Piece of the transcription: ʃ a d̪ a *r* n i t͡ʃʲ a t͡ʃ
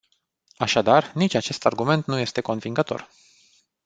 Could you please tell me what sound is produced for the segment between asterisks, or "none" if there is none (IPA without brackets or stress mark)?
r